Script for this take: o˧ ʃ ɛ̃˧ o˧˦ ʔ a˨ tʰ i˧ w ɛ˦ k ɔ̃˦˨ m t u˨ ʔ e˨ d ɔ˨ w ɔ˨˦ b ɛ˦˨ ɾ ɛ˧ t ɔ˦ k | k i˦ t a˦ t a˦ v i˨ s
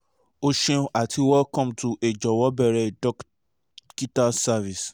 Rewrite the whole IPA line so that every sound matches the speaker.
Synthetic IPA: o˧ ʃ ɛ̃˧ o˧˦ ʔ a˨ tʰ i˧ w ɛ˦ k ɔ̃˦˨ m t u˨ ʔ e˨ d͡ʒ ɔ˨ w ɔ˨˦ b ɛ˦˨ ɾ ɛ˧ d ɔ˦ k | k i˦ t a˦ s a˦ v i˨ s